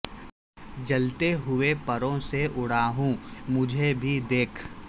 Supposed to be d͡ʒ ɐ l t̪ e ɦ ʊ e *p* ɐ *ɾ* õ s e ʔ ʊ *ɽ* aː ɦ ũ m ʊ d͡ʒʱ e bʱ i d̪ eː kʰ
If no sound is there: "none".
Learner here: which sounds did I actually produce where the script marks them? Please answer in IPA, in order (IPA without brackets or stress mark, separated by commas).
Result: p, ɾ, ɽ